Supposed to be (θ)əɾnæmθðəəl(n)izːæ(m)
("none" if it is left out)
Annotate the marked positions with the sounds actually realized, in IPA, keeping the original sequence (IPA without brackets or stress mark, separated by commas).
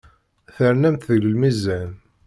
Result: θ, m, n